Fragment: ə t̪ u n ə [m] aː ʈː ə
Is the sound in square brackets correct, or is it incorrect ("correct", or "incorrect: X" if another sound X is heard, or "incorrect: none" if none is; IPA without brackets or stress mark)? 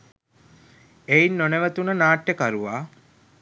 incorrect: n